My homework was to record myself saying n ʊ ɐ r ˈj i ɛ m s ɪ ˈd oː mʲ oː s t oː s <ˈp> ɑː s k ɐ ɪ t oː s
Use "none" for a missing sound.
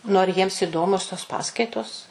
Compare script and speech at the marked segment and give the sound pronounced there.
p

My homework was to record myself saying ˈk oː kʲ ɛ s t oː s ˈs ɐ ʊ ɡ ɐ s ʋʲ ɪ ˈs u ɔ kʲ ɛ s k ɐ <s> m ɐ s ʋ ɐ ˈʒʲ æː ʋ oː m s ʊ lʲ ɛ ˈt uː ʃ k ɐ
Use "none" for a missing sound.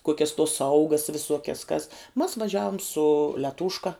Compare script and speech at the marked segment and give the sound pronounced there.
s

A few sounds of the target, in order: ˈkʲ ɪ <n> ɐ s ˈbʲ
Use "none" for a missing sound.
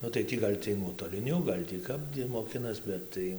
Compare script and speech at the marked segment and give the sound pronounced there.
n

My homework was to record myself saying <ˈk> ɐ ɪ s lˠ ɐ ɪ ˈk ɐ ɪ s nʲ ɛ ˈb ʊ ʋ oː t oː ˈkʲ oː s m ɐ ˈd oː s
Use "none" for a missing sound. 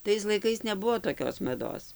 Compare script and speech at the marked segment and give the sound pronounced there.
t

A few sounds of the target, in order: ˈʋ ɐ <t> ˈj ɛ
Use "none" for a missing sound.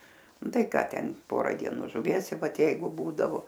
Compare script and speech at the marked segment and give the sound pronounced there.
t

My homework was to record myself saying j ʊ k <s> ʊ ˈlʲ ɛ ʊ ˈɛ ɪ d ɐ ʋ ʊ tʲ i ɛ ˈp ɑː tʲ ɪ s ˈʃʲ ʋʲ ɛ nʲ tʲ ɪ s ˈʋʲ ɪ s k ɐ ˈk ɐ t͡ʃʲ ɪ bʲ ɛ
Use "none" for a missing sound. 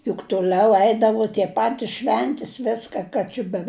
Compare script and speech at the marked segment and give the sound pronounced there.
t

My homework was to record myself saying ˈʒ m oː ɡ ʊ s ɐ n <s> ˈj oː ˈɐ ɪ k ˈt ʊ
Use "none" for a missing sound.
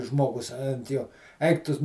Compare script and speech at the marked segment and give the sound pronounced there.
t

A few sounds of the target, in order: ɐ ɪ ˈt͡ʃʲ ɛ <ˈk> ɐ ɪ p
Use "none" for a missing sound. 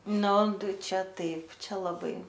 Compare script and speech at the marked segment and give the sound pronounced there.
t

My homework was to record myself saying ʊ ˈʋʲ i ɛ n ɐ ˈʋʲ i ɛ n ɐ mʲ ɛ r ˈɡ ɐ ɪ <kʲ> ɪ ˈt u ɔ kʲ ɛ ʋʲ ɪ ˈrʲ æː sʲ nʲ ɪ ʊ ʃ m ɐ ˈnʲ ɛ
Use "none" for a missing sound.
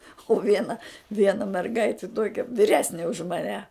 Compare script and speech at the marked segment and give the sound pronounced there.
tʲ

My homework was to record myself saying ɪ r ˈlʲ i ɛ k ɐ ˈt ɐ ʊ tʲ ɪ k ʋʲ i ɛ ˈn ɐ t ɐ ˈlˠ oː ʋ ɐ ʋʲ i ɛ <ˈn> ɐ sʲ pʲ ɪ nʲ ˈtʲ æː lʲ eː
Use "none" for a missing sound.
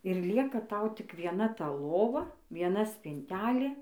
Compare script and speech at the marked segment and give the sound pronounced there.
n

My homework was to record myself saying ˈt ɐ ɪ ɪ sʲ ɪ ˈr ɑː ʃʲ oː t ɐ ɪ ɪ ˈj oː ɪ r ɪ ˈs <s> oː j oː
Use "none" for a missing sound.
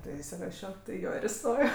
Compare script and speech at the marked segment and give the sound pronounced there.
t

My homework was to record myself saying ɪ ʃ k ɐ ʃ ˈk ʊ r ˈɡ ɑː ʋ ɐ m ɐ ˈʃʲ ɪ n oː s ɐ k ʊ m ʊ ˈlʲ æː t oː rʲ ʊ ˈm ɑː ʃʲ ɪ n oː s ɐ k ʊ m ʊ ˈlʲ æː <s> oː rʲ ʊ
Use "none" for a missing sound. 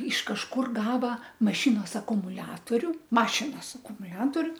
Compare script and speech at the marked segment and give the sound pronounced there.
t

